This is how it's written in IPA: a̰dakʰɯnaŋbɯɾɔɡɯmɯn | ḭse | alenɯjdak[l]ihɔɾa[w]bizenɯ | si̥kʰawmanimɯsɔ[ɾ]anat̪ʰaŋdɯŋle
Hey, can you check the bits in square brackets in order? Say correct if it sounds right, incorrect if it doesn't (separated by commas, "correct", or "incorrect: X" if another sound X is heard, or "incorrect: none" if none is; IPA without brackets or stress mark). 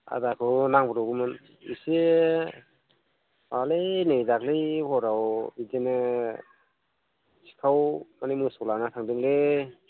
correct, correct, incorrect: l